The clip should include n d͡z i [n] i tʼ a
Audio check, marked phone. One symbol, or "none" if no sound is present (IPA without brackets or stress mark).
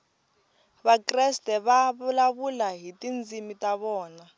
m